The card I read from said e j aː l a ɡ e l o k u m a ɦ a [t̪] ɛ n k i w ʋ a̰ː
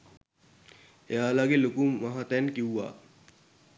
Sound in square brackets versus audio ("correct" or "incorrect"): correct